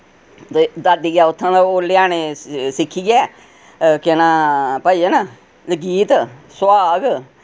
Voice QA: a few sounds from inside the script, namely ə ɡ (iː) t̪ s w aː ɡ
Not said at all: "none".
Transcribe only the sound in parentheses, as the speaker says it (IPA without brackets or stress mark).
iː